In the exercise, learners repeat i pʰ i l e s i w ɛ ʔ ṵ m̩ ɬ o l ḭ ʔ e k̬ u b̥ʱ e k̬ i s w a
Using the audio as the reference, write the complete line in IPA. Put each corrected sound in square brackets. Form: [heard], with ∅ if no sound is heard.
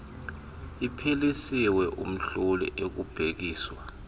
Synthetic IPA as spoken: i pʰ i l [i] s i w ɛ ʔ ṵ m̩ ɬ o l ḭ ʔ e k̬ u b̥ʱ e k̬ [iː] s w a